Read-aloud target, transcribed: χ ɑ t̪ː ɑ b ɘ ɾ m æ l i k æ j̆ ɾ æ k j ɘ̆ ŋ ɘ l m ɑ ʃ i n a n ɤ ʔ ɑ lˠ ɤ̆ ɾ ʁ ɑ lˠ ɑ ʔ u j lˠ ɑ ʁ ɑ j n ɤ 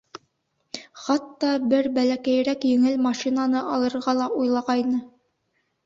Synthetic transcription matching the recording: χ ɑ t̪ː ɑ b ɘ ɾ b æ l æ k æ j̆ ɾ æ k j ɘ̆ ŋ ɘ l m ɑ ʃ i n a n ɤ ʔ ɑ lˠ ɤ̆ ɾ ʁ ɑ lˠ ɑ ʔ u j lˠ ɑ ʁ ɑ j n ɤ

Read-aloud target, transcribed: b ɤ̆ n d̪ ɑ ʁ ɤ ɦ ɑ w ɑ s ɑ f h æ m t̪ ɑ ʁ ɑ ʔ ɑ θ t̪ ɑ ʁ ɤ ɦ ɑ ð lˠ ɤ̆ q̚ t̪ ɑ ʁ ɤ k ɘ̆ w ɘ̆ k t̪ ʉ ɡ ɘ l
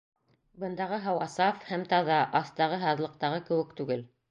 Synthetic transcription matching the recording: b ɤ̆ n d̪ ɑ ʁ ɤ ɦ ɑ w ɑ s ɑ f h æ m t̪ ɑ ð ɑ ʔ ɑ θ t̪ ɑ ʁ ɤ ɦ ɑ ð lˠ ɤ̆ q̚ t̪ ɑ ʁ ɤ k ɘ̆ w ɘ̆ k t̪ ʉ ɡ ɘ l

